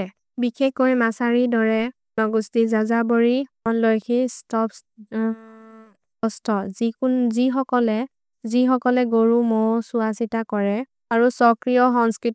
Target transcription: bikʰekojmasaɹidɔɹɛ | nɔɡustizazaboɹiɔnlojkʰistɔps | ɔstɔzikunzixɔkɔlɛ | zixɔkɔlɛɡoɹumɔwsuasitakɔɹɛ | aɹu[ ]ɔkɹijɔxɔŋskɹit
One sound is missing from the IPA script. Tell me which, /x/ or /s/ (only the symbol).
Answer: s